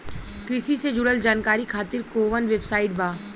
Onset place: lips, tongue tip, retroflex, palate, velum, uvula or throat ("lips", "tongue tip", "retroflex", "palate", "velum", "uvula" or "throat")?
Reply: velum